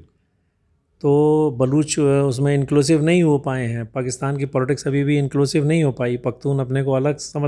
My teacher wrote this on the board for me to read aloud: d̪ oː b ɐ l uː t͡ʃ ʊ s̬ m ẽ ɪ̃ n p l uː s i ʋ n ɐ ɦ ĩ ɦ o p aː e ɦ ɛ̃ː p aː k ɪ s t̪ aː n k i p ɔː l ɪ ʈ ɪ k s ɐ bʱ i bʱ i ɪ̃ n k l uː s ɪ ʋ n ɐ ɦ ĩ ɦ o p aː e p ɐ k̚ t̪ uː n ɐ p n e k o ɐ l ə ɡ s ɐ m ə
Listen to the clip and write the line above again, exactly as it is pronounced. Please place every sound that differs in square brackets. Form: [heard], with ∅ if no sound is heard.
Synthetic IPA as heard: [t̪] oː b ɐ l uː t͡ʃ ʊ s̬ m ẽ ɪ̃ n [k] l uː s [ɪ] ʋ n ɐ ɦ ĩ ɦ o p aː e ɦ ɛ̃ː p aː k ɪ s t̪ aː n k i p ɔː l ɪ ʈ ɪ k s ɐ bʱ i bʱ i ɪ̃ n k l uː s ɪ ʋ n ɐ ɦ ĩ ɦ o p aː [i] p ɐ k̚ t̪ uː n ɐ p n e k o ɐ l ə ɡ s ɐ m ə